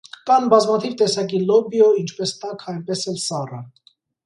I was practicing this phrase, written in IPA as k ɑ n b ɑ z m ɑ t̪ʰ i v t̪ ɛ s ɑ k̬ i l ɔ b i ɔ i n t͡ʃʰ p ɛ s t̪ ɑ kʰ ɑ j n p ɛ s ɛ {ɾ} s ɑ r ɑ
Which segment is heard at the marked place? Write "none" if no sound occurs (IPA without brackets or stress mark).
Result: l